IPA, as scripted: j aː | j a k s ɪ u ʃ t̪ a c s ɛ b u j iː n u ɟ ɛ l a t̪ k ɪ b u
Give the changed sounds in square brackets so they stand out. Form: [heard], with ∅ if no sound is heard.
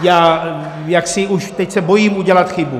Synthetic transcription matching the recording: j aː | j a k s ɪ u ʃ t̪ [ɛ] c s ɛ b [o] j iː [m] u ɟ ɛ l a t̪ [x] ɪ b u